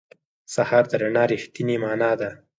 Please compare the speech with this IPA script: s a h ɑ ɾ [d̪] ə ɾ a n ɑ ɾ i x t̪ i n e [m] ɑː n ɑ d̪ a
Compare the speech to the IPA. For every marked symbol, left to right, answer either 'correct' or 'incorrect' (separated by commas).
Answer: correct, correct